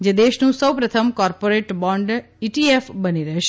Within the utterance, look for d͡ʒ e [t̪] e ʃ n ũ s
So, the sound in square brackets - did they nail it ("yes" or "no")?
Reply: no